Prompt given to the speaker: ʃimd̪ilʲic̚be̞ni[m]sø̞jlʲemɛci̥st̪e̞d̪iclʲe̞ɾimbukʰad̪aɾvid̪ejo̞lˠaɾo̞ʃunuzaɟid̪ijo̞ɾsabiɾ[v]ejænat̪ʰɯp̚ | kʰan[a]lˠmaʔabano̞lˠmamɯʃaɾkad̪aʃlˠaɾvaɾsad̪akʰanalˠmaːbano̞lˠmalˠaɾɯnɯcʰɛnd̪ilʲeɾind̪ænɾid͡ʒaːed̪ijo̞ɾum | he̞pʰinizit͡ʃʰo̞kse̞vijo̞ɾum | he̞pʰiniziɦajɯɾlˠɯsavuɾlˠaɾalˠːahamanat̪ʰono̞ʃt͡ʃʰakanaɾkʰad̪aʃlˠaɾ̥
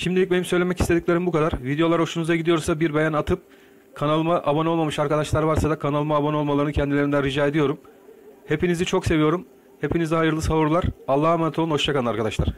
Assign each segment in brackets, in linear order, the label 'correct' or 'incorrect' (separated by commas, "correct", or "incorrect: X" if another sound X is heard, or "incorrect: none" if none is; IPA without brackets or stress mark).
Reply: correct, incorrect: b, correct